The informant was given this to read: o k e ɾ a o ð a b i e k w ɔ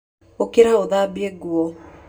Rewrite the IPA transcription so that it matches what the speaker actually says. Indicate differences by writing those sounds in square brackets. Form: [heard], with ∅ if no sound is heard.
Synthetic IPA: o k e ɾ a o ð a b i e [ɡ] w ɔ